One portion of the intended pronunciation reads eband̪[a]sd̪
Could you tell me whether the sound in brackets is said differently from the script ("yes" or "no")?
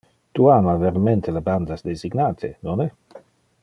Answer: no